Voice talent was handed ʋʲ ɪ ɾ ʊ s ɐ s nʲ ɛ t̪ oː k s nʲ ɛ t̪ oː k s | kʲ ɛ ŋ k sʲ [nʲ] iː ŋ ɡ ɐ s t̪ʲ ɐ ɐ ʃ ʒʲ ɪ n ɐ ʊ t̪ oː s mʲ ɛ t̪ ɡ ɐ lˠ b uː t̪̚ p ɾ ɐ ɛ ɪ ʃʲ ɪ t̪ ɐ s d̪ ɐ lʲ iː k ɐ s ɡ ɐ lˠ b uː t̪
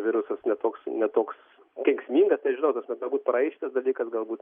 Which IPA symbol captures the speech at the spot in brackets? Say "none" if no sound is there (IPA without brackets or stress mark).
mʲ